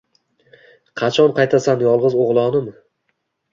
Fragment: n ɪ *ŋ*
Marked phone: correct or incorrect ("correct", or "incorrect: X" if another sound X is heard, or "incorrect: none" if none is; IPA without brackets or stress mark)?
incorrect: m